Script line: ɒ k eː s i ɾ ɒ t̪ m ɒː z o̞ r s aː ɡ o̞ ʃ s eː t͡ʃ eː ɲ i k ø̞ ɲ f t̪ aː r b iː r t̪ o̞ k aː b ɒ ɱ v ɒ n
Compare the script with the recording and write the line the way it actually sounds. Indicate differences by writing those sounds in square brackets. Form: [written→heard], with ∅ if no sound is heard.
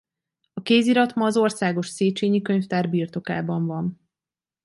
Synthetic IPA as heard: ɒ k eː [s→z] i ɾ ɒ t̪ m ɒː z o̞ r s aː ɡ o̞ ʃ s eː t͡ʃ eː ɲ i k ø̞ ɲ f t̪ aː r b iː r t̪ o̞ k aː b ɒ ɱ v ɒ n